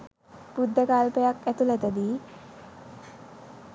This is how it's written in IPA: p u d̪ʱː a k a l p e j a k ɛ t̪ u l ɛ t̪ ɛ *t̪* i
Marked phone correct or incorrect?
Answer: incorrect